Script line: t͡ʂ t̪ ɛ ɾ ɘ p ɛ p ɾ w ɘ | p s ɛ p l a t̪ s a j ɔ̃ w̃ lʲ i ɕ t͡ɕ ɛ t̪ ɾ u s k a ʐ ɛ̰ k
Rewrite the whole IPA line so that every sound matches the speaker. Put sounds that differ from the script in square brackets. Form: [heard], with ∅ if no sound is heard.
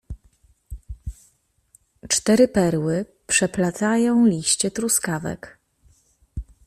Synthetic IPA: t͡ʂ t̪ ɛ ɾ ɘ p ɛ [∅] ɾ w ɘ | p [ʂ] ɛ p l a t̪ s a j ɔ̃ w̃ lʲ i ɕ t͡ɕ ɛ t̪ ɾ u s k a [v] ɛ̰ k